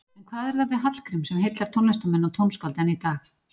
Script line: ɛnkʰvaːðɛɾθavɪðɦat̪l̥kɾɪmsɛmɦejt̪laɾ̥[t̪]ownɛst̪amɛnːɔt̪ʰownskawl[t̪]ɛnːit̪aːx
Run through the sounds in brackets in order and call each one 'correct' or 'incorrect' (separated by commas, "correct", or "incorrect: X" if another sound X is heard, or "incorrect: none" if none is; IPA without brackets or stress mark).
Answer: incorrect: t̪ʰ, correct